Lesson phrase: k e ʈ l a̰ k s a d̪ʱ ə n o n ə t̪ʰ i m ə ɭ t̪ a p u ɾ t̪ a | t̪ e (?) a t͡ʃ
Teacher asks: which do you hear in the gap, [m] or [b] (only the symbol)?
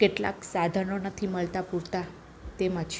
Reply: m